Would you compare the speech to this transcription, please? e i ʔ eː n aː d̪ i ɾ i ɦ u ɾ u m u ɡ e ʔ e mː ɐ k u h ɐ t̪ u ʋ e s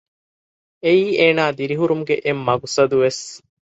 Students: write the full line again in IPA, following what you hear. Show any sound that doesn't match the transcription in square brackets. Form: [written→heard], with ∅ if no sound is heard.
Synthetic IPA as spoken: e [i→iː] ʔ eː n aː d̪ i ɾ i ɦ u ɾ u m u ɡ e ʔ e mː ɐ [k→ɡ] u [h→s] ɐ [t̪→d̪] u ʋ e s

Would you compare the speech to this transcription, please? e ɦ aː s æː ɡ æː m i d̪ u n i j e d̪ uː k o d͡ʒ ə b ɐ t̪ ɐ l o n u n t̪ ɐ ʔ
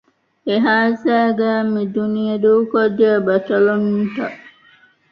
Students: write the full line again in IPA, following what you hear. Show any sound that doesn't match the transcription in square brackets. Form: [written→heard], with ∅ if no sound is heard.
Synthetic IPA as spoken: e ɦ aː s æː ɡ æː m i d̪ u n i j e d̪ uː k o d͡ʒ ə b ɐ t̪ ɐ l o n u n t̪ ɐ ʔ

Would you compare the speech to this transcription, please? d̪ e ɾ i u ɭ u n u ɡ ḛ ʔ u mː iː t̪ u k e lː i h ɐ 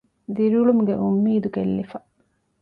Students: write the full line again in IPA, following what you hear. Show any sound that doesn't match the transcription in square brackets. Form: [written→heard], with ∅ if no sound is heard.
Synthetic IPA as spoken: d̪ [e→i] ɾ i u ɭ u [n→m] u ɡ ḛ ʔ u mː iː [t̪→d̪] u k e lː i [h→f] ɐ

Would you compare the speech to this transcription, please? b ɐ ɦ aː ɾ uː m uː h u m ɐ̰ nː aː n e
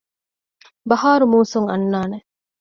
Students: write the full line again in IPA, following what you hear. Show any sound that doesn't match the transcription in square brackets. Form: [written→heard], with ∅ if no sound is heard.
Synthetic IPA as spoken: b ɐ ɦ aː ɾ [uː→u] m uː [h→s] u [m→ŋ] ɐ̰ nː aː n e

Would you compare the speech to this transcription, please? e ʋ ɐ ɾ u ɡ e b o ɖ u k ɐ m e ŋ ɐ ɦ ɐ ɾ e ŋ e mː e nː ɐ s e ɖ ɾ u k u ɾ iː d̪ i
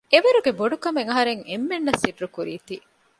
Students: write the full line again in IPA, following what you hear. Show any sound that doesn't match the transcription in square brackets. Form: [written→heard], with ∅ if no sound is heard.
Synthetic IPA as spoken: e ʋ ɐ ɾ u ɡ e b o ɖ u k ɐ m e ŋ ɐ ɦ ɐ ɾ e ŋ e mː e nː ɐ s [e→i] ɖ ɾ u k u ɾ iː [d̪→t̪] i

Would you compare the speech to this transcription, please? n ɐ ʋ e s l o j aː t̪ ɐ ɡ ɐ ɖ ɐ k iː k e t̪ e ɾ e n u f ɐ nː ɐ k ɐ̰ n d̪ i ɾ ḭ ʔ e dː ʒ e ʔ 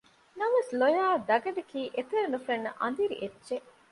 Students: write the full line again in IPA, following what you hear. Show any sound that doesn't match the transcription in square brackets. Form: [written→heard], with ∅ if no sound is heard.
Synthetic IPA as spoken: n ɐ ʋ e s l o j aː [t̪→d̪] ɐ ɡ ɐ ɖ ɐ k iː [k→ʔ] e t̪ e ɾ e n u f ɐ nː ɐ [k→ʔ] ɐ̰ n d̪ i ɾ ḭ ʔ e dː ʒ e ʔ

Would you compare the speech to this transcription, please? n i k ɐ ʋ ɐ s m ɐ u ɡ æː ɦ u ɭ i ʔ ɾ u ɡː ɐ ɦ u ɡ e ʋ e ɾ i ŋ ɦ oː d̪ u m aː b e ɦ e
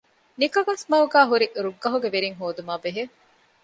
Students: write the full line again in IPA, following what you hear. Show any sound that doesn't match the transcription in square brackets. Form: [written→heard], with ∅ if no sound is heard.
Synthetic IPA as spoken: n i k ɐ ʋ ɐ s m ɐ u ɡ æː ɦ u [ɭ→ɾ] i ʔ ɾ u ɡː ɐ ɦ u ɡ e ʋ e ɾ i ŋ ɦ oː d̪ u m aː b e ɦ e

